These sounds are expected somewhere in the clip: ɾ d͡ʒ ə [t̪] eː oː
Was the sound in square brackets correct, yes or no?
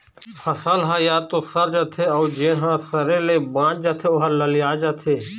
no